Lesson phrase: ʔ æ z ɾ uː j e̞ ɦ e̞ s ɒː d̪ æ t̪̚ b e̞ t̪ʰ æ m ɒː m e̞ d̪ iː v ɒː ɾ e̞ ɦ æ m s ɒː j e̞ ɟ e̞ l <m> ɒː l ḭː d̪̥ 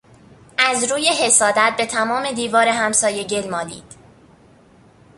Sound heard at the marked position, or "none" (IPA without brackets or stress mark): m